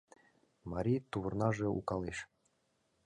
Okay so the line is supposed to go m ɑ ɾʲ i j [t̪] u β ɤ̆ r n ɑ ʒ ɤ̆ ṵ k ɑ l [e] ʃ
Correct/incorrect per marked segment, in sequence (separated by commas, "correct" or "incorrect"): correct, correct